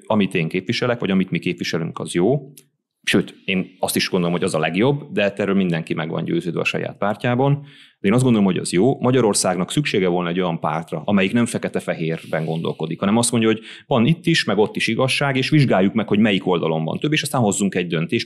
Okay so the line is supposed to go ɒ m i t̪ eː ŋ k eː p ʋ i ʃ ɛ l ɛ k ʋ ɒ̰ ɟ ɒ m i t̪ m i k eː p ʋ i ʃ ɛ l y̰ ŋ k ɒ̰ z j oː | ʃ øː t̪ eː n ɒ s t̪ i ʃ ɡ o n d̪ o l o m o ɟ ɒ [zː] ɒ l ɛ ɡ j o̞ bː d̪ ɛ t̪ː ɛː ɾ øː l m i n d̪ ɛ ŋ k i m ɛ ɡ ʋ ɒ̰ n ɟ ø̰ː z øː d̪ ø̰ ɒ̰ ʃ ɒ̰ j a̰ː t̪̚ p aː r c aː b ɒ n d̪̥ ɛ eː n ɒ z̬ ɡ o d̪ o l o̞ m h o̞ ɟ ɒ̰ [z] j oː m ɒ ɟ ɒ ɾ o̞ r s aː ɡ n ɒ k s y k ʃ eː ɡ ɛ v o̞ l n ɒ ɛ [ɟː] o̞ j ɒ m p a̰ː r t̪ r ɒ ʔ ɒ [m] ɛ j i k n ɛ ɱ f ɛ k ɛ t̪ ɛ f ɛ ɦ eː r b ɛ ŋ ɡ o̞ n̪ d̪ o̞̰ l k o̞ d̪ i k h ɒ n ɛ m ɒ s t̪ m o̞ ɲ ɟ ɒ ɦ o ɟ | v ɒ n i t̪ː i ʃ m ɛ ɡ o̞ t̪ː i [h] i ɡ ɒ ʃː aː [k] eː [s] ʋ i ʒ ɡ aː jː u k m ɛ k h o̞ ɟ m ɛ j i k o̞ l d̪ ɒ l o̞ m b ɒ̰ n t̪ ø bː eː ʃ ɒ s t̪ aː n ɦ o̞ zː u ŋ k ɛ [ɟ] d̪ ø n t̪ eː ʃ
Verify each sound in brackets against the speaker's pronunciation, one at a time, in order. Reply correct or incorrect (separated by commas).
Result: incorrect, correct, incorrect, correct, incorrect, incorrect, incorrect, correct